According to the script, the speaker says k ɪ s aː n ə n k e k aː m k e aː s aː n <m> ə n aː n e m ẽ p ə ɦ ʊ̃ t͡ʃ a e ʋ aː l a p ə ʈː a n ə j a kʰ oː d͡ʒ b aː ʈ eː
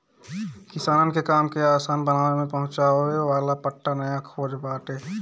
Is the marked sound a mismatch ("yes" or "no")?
yes